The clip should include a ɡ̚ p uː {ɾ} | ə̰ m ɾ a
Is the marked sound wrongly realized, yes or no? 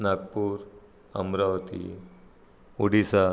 no